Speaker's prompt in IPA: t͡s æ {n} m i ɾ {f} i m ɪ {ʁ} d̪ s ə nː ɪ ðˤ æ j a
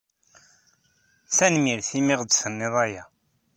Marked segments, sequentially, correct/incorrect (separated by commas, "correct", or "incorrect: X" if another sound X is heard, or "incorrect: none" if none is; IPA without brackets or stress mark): correct, incorrect: θ, correct